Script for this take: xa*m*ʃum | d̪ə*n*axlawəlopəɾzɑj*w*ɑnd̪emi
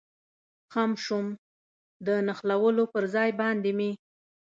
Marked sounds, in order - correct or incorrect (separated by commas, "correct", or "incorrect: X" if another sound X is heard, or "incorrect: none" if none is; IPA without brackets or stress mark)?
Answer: correct, correct, incorrect: b